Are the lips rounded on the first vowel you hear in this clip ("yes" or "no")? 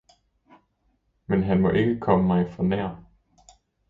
no